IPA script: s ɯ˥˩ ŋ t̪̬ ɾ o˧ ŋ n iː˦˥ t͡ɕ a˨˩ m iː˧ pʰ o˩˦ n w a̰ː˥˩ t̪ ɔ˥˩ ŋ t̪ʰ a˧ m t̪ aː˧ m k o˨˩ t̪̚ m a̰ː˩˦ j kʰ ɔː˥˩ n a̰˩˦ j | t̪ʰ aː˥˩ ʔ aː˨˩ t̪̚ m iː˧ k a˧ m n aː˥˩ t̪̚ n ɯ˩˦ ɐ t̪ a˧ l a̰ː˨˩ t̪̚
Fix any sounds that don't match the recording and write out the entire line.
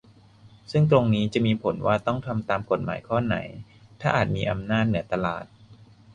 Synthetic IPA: s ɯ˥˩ ŋ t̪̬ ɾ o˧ ŋ n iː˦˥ t͡ɕ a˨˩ m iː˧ pʰ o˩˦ n w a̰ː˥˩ t̪ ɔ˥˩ ŋ t̪ʰ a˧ m t̪ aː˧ m k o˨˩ t̪̚ m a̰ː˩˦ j kʰ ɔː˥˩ n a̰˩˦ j | t̪ʰ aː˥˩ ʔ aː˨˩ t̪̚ m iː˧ ʔ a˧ m n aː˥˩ t̪̚ n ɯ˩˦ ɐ t̪ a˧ l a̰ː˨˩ t̪̚